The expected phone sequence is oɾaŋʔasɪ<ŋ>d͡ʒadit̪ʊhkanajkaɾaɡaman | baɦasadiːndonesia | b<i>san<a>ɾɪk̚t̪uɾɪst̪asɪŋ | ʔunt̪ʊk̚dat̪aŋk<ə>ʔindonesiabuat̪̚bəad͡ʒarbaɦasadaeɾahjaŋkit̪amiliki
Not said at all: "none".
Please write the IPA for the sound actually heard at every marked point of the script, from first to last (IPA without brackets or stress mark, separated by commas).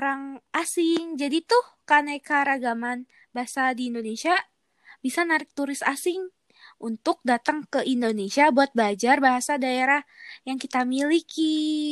ŋ, i, a, ə